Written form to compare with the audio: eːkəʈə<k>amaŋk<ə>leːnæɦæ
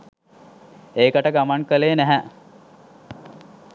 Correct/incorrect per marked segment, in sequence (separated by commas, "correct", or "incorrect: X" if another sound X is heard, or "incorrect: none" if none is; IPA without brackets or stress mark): incorrect: ɡ, correct